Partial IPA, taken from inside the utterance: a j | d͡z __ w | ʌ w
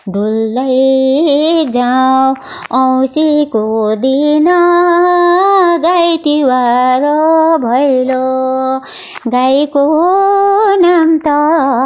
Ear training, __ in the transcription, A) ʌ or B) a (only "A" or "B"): B